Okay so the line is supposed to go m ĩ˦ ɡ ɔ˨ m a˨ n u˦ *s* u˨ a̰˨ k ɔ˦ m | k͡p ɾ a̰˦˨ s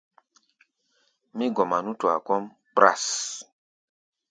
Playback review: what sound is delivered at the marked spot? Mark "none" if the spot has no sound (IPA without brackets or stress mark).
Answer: t